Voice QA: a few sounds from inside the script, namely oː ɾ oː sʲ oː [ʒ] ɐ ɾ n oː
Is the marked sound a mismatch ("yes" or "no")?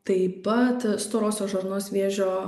no